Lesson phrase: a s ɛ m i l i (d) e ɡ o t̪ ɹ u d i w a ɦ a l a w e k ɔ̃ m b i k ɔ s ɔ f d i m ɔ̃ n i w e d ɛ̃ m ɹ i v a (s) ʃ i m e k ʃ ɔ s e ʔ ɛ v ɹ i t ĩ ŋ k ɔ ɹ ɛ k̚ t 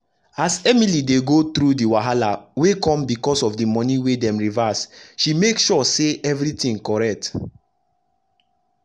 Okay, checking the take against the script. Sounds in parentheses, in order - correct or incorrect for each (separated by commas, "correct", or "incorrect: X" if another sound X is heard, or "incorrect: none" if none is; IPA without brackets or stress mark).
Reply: correct, correct